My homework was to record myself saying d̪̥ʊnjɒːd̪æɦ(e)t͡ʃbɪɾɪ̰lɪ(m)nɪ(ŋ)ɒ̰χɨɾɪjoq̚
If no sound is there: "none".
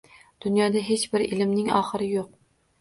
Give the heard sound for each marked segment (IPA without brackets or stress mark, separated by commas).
e, m, ŋ